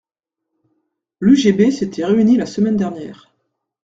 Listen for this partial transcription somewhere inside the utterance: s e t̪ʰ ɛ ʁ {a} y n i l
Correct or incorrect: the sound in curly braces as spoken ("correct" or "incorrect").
incorrect